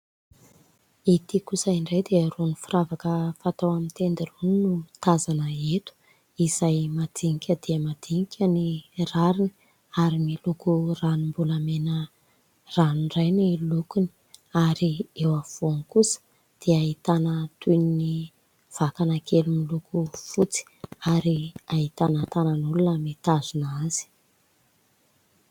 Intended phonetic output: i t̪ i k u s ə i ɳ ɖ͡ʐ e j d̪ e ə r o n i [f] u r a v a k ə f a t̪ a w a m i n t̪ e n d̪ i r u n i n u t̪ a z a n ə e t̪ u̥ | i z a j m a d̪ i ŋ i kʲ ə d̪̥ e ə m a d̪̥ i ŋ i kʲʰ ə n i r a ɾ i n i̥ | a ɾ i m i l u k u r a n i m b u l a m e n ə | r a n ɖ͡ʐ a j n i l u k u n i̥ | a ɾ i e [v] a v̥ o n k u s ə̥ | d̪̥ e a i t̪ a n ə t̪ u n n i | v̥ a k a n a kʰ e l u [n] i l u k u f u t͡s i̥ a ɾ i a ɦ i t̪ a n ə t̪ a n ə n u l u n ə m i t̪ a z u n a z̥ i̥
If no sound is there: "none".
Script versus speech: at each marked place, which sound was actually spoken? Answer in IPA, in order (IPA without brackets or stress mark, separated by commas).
f, w, m